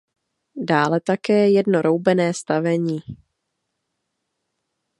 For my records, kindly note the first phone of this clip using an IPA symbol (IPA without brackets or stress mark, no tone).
d